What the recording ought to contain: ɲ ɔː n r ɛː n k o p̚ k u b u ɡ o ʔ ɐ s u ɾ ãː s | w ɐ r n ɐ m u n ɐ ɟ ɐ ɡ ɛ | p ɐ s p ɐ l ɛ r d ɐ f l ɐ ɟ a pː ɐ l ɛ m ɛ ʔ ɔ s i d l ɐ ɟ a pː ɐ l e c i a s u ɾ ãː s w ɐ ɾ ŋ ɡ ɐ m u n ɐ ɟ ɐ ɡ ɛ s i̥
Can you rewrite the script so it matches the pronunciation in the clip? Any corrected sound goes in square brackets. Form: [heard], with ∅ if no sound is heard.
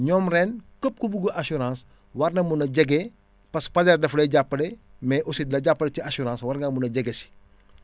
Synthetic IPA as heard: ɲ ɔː [m] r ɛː n k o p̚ k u b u ɡ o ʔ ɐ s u ɾ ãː s | w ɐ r n ɐ m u n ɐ ɟ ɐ ɡ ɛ | p ɐ s p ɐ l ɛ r d ɐ f l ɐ ɟ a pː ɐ l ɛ m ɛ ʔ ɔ s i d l ɐ ɟ a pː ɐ l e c i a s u ɾ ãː s w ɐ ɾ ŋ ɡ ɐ m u n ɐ ɟ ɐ ɡ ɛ s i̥